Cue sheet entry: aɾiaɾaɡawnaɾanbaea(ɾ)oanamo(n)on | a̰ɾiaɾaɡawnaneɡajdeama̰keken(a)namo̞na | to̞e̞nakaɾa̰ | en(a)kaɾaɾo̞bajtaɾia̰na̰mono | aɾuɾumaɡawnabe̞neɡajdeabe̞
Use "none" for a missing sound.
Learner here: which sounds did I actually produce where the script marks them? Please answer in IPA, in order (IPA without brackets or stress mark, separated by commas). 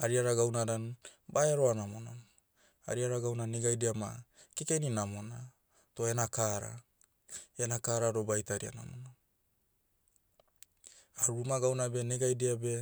ɾ, n, i, a